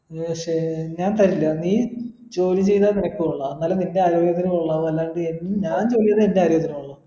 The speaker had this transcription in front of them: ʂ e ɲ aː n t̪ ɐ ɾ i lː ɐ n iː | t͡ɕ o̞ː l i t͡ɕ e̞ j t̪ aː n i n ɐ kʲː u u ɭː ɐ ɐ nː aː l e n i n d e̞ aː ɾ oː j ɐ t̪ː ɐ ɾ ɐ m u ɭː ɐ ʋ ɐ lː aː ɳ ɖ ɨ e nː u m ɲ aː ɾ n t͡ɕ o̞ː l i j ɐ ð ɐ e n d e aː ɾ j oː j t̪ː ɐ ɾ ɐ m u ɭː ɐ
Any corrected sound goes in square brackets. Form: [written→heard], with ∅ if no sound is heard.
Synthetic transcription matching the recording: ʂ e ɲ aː n t̪ ɐ ɾ i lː ɐ n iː | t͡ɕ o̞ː l i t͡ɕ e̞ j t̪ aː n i n ɐ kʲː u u ɭː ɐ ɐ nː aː l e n i n d e̞ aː ɾ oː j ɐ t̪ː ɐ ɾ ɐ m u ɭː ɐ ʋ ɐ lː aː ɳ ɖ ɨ e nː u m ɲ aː [ɾ→∅] n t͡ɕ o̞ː l i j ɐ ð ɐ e n d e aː ɾ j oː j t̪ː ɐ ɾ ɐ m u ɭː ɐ